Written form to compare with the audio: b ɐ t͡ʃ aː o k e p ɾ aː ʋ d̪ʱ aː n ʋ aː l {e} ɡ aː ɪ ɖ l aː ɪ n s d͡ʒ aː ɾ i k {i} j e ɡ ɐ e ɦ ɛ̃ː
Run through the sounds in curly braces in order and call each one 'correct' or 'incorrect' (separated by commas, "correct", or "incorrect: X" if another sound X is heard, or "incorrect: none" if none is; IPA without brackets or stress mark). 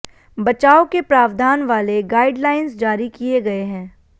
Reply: correct, correct